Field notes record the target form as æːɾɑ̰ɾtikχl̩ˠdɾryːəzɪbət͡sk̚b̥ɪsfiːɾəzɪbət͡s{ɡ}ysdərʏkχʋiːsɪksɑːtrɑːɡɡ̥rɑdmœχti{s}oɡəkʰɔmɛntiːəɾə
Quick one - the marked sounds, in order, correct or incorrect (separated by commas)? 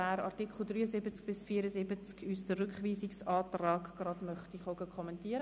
incorrect, incorrect